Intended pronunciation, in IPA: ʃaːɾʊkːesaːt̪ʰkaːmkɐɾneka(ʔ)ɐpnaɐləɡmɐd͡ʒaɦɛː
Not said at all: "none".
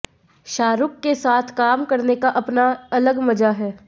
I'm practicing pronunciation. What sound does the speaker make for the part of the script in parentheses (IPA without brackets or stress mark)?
ʔ